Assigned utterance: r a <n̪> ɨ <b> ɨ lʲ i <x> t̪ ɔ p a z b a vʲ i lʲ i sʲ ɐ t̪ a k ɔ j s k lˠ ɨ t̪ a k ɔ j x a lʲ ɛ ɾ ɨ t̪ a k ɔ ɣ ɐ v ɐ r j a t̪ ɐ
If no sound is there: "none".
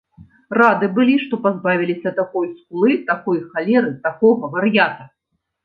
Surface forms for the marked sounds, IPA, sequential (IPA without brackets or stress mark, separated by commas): d̪, b, ʂ